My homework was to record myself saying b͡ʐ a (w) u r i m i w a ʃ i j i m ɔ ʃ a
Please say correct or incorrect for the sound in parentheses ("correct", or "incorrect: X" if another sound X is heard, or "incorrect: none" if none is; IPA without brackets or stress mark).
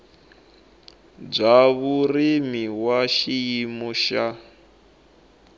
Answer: incorrect: β